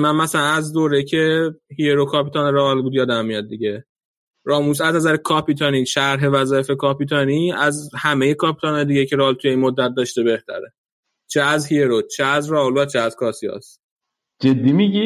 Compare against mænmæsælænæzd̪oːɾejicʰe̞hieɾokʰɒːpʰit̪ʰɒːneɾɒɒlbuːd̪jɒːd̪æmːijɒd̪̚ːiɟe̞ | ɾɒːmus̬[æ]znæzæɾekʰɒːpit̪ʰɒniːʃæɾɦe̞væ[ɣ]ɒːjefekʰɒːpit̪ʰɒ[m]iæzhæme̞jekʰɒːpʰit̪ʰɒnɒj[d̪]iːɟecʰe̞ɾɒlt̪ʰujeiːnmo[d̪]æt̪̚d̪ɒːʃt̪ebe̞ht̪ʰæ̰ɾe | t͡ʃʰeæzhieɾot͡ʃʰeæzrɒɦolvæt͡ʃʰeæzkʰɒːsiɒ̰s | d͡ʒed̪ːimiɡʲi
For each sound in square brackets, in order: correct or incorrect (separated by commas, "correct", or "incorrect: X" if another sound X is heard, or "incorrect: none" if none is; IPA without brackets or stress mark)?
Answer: correct, incorrect: z, incorrect: n, correct, incorrect: d̪ː